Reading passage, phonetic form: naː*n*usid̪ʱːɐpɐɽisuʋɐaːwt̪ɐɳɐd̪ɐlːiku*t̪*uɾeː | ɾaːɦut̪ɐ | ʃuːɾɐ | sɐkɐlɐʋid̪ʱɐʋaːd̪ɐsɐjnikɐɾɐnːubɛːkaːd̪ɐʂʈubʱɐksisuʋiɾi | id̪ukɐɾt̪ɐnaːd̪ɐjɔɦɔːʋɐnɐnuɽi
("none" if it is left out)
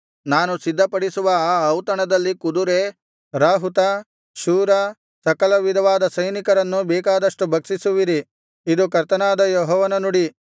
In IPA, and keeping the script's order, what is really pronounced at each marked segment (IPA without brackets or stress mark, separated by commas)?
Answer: n, d̪